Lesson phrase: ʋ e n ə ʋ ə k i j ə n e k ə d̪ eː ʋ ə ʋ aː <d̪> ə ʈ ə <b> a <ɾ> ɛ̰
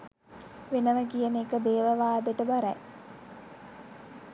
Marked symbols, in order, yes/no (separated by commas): yes, yes, yes